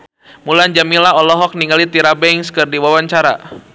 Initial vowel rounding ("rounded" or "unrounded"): rounded